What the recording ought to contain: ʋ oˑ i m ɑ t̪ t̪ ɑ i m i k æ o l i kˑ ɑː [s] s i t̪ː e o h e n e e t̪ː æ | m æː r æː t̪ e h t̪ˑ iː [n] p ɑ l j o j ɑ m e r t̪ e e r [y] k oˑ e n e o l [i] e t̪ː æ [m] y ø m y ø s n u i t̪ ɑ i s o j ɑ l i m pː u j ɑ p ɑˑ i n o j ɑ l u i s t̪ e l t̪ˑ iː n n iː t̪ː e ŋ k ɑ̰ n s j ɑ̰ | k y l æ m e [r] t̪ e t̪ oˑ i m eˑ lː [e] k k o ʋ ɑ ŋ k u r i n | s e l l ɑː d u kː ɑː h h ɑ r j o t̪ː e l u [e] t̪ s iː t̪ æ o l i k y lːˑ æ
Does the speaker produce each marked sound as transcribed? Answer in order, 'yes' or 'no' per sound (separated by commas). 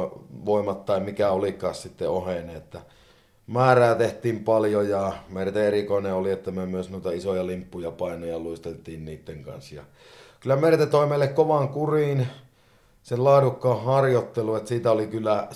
yes, no, no, yes, yes, yes, yes, yes